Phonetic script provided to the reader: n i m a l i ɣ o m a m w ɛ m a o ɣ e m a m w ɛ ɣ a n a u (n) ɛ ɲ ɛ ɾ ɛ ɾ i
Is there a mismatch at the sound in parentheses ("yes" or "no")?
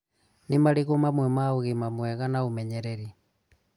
yes